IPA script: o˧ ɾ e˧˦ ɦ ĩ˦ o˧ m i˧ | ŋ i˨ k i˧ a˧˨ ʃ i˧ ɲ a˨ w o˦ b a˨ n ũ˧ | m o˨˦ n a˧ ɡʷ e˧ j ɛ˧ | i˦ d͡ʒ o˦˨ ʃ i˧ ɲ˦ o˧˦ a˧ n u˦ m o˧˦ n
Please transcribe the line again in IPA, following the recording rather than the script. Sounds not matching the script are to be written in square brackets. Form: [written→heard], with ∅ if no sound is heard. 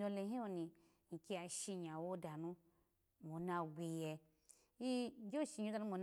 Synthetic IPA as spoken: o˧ [ɾ→l] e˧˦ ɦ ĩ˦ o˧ [m→n] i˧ | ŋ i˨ k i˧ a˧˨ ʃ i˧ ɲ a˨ w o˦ [b→d] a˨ n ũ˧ | m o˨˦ n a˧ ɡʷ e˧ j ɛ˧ | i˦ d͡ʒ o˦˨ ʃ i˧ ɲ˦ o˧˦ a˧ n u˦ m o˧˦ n